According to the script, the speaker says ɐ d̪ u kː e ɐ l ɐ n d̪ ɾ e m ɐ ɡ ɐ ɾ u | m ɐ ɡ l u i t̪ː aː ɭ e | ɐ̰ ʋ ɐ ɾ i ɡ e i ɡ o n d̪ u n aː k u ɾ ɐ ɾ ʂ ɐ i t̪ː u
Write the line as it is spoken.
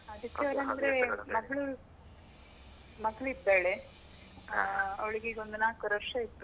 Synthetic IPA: ɐ d̪ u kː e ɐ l ɐ n d̪ ɾ e m ɐ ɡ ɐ ɭ u | m ɐ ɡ ɭ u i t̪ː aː ɭ e | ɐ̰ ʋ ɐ ɭ i ɡ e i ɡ o n d̪ u n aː k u ɾ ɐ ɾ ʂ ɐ i t̪ː u